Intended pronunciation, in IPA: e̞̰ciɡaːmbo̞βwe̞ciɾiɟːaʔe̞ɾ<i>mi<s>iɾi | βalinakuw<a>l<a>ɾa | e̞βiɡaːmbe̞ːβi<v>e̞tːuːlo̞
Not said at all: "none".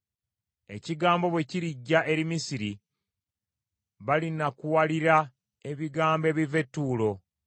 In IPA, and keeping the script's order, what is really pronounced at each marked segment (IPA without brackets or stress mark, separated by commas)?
i, s, a, i, v